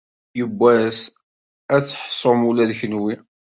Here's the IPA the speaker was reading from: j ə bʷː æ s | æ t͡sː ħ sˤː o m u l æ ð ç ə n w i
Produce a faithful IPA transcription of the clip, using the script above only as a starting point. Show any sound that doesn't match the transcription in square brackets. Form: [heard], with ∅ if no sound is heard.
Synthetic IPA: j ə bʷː æ s | æ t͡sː ħ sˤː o m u l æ ð ç ə n w i